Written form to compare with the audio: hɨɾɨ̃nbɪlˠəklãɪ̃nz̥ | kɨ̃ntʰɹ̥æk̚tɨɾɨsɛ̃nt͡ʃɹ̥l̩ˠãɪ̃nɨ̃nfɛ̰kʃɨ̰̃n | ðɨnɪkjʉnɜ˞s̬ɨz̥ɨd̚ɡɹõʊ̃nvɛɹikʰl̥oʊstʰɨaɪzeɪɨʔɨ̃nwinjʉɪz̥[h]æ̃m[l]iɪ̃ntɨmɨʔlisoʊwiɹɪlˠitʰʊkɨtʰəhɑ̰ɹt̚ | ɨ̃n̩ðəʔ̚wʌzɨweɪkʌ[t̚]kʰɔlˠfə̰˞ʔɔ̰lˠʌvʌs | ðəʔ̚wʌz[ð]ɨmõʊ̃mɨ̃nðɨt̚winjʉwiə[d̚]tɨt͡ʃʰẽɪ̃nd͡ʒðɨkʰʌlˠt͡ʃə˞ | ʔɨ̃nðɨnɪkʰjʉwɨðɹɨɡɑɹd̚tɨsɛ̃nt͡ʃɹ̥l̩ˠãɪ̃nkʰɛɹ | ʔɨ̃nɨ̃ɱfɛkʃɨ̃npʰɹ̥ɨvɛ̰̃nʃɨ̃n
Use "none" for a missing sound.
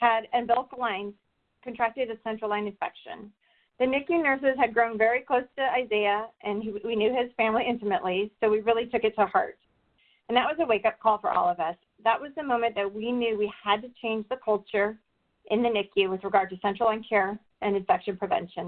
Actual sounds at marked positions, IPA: f, l, p̚, ð, d̚

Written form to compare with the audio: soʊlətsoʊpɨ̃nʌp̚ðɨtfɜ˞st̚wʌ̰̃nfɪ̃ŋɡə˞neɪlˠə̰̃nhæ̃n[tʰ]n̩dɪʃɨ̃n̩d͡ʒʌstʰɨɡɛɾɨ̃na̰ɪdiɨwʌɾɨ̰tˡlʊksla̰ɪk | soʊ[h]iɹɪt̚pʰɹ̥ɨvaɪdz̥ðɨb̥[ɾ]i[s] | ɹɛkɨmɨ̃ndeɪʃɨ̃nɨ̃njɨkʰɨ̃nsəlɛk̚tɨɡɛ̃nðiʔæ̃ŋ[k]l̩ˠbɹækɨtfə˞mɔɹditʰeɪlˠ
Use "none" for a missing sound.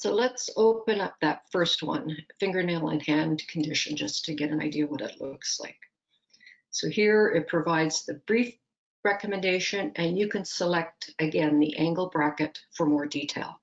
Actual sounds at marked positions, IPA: kʰ, h, ɹ, f, ɡ

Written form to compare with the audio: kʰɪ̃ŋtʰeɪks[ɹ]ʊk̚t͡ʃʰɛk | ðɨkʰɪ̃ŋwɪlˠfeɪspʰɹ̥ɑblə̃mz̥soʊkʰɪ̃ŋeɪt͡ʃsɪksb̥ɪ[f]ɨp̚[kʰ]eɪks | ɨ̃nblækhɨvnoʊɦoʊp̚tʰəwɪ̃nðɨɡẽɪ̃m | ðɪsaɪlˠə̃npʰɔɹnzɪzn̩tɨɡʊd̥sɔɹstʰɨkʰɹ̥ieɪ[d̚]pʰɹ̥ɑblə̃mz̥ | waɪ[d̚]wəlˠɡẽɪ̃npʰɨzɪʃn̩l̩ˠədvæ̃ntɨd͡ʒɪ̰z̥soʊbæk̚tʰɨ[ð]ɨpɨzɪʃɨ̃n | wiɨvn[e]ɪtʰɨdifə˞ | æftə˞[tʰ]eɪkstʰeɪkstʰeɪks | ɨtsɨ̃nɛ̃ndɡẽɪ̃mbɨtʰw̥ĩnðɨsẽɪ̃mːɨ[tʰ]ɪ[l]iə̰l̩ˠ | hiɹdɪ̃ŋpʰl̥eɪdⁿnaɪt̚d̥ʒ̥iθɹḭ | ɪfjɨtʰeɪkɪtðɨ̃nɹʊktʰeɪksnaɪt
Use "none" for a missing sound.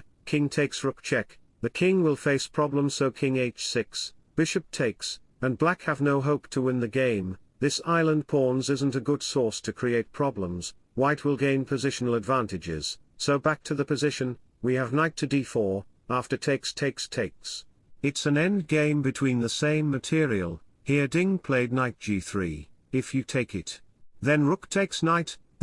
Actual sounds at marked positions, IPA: ɹ, ʃ, tʰ, t̚, t̚, ð, a, tʰ, tʰ, ɹ

